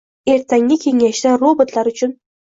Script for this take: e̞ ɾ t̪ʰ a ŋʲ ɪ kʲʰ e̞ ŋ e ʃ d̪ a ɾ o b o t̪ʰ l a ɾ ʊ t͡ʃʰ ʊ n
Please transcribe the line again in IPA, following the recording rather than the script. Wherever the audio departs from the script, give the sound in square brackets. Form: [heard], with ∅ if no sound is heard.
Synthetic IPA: e̞ ɾ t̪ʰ a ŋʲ ɪ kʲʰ e̞ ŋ [a] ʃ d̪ a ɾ o b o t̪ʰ l a ɾ ʊ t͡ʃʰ ʊ n